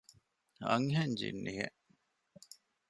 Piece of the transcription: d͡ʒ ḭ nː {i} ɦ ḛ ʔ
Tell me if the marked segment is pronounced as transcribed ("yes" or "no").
yes